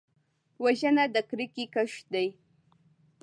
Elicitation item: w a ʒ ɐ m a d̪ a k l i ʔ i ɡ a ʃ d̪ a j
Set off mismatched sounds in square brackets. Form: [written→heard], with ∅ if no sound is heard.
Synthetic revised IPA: w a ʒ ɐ [m→n] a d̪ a k [l→ɾ] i [ʔ→k] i [ɡ→k] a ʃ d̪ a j